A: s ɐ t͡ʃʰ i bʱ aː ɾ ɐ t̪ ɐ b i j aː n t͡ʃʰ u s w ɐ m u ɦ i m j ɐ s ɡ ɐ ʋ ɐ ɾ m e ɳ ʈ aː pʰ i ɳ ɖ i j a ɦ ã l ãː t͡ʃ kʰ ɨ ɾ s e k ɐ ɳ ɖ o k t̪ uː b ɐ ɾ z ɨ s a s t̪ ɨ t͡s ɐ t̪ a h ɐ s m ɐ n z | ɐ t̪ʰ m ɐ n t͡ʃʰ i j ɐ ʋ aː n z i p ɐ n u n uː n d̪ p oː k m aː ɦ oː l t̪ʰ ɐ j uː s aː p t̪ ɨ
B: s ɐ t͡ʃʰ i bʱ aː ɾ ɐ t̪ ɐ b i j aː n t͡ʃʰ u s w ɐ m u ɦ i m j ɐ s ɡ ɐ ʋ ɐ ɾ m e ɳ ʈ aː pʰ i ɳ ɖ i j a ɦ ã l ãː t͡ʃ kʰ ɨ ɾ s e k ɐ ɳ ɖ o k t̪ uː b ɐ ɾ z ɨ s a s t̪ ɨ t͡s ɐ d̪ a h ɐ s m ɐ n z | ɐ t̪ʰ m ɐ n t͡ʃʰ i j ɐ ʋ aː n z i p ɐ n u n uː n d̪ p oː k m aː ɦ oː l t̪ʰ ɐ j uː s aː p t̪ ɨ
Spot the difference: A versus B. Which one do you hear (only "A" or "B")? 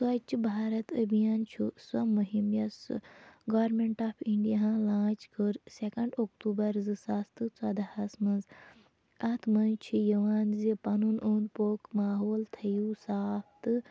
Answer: B